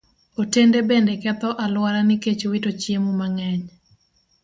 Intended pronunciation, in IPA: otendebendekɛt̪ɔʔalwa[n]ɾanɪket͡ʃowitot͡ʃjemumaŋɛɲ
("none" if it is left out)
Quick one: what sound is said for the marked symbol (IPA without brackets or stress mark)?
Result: none